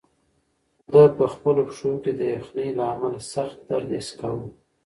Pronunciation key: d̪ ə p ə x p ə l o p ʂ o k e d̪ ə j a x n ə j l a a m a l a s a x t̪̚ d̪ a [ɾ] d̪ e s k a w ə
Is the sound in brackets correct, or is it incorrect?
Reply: correct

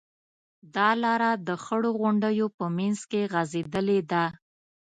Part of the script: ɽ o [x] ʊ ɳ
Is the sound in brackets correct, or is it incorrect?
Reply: incorrect: ɣ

